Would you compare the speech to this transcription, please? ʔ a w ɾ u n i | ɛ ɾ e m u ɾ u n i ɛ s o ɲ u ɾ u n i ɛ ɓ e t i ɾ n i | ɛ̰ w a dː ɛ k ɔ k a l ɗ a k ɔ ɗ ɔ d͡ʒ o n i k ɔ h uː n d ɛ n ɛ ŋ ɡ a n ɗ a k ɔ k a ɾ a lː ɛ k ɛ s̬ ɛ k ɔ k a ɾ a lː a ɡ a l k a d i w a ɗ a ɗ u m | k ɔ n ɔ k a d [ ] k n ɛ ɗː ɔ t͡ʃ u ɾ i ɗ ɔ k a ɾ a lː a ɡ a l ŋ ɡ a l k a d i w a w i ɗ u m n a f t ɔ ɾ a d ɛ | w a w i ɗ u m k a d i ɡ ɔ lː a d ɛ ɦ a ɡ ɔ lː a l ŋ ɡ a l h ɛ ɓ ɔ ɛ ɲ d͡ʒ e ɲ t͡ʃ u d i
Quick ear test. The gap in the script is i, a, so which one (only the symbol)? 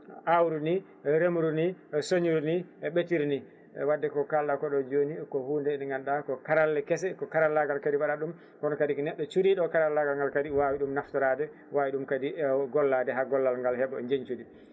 i